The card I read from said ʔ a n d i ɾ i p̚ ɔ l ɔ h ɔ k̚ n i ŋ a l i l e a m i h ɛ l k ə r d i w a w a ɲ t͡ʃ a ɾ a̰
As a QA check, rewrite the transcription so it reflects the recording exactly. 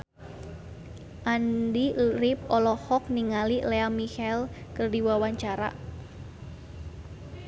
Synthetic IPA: ʔ a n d i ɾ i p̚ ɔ l ɔ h ɔ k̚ n i ŋ a l i l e a m i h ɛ l k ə r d i w a w a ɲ t͡ʃ a ɾ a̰